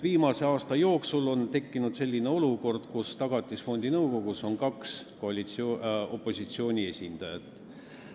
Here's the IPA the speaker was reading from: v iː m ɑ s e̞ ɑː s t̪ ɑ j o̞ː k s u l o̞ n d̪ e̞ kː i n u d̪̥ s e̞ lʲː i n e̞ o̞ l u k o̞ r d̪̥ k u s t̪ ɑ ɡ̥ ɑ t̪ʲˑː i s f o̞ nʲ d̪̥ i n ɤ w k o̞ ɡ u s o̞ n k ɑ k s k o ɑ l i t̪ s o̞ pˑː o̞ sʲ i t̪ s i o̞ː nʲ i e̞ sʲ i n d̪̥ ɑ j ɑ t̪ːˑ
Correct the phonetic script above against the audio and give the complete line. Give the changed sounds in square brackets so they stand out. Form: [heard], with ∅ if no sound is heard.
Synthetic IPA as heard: v iː m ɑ s e̞ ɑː s t̪ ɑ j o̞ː k s u l o̞ n [t̪] e̞ kː i n u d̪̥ s e̞ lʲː i n e̞ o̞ l u k o̞ r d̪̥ k u s t̪ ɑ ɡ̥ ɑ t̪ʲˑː i s f o̞ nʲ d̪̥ i n ɤ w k o̞ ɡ u s o̞ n k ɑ k s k o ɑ l i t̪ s o̞ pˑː o̞ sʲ i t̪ s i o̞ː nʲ i e̞ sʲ i n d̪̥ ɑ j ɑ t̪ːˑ